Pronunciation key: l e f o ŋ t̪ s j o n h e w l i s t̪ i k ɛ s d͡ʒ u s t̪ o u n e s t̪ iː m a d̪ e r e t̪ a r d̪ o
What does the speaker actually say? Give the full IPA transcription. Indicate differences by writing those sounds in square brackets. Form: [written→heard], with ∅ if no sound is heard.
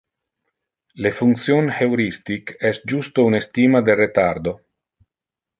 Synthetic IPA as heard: l e f [o→u] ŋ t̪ s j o n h e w [l→ɾ] i s t̪ i k ɛ s d͡ʒ u s t̪ o u n e s t̪ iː m a d̪ e r e t̪ a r d̪ o